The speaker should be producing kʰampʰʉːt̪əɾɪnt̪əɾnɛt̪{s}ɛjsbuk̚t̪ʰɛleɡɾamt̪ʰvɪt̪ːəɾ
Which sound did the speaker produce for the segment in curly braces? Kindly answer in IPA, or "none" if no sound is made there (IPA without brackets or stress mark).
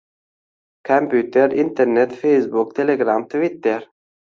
f